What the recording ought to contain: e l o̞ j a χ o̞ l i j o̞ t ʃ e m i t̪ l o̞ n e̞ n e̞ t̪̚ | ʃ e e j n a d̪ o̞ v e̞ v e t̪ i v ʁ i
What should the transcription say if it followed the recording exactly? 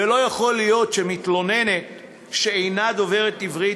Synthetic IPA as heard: e l o̞ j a χ o̞ l i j o̞ t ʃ e m i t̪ l o̞ n e̞ n e̞ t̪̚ | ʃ e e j n a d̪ o̞ v e̞ ʁ e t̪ i v ʁ i